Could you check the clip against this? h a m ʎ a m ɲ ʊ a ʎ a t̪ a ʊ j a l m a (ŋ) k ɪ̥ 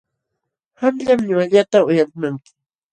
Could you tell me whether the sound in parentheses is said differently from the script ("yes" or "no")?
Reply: no